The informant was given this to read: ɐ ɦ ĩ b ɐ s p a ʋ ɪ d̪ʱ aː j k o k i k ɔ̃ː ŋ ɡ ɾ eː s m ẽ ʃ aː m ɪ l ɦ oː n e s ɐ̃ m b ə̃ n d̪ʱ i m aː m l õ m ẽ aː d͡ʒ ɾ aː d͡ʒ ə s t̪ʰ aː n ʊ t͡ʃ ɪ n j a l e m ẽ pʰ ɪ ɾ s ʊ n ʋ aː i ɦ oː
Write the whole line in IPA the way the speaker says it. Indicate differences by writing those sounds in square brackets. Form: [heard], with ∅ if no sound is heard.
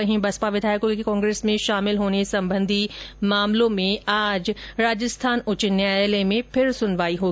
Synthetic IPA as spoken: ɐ ɦ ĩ b ɐ s p a ʋ ɪ d̪ʱ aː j k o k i k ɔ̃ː ŋ ɡ ɾ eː s m ẽ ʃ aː m ɪ l ɦ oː n e s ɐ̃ m b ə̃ n d̪ʱ i m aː m l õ m ẽ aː d͡ʒ ɾ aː d͡ʒ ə s t̪ʰ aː n ʊ t͡ʃ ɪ n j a l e m ẽ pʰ ɪ ɾ s ʊ n ʋ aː i ɦ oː